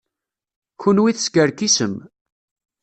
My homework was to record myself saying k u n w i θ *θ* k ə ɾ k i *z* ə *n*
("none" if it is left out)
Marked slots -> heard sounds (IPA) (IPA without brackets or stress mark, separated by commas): s, s, m